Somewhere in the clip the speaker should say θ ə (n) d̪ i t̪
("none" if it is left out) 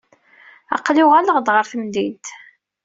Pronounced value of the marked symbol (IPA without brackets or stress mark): m